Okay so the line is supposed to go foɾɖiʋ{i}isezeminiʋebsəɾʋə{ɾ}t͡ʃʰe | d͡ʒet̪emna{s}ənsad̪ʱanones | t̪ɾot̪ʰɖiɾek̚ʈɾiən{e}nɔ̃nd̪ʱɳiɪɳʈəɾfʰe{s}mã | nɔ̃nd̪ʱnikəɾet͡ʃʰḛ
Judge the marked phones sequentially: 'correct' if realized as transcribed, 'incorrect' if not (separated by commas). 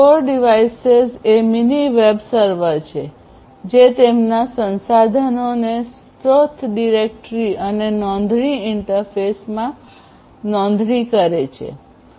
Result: incorrect, correct, correct, correct, correct